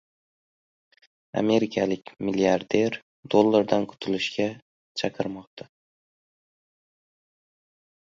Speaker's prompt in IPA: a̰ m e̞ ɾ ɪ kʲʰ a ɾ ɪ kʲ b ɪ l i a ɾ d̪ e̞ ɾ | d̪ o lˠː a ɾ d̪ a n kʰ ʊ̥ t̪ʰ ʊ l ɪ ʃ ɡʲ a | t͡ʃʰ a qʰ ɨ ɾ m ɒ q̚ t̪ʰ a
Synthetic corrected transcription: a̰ m e̞ ɾ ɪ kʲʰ a l ɪ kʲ m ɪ l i a ɾ d̪ e̞ ɾ | d̪ o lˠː a ɾ d̪ a n kʰ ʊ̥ t̪ʰ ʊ l ɪ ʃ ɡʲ a | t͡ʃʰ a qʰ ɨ ɾ m ɒ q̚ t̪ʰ a